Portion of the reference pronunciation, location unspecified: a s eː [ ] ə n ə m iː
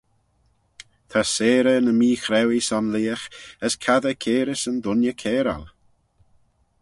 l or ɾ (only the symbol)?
ɾ